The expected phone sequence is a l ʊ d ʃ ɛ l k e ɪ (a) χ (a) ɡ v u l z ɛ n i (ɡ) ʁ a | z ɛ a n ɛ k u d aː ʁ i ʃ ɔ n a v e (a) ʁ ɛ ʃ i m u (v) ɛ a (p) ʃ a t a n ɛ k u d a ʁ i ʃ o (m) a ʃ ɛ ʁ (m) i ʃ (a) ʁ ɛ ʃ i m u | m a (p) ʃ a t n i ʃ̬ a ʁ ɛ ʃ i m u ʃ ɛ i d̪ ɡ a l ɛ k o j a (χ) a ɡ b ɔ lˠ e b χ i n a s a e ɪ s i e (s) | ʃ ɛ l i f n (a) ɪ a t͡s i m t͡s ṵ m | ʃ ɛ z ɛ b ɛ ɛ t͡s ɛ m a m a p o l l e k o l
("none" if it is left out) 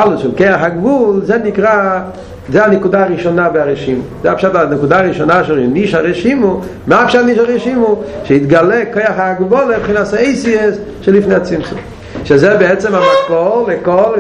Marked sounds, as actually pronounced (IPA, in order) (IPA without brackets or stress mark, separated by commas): a, a, k, a, z, p, n, n, a, p, χ, s, e